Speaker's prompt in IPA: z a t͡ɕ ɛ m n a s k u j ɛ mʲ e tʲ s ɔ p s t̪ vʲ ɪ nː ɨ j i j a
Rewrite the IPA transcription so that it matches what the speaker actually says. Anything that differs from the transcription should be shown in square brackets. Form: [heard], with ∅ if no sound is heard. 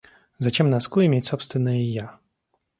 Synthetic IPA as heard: z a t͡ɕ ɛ m n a s k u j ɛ mʲ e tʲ s ɔ p s t̪ vʲ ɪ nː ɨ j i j a